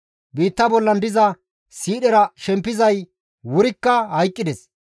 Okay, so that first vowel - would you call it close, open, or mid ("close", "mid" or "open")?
close